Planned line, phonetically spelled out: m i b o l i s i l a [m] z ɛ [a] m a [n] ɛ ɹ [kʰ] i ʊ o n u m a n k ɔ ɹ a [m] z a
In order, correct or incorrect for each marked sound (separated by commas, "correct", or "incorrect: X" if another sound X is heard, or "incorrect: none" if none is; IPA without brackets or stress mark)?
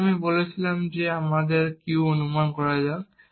correct, correct, incorrect: d, incorrect: k, incorrect: none